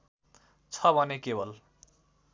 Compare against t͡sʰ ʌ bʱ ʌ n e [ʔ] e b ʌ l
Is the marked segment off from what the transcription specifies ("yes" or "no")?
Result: yes